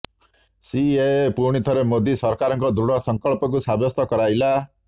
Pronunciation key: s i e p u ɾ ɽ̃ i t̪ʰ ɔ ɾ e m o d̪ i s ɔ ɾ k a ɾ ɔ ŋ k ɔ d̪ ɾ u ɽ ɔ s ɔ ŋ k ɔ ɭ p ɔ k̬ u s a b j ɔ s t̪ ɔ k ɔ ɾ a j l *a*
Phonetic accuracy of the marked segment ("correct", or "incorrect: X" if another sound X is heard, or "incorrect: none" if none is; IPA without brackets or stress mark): correct